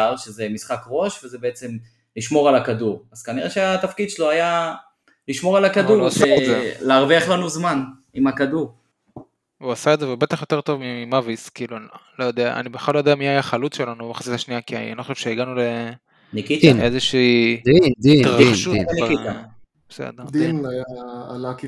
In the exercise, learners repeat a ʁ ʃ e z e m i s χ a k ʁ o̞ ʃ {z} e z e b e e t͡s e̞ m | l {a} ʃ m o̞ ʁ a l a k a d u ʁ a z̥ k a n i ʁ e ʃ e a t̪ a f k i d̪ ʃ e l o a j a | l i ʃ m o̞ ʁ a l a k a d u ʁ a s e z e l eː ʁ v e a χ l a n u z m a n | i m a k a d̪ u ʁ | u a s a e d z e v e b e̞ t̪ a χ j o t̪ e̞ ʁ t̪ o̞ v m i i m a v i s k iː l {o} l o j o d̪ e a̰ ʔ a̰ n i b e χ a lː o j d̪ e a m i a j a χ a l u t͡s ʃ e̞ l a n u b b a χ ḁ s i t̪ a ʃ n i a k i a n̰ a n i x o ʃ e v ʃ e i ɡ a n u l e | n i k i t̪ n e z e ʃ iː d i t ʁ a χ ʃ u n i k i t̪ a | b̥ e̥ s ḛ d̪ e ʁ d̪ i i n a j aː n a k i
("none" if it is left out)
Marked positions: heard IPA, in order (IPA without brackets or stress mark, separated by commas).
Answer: v, i, u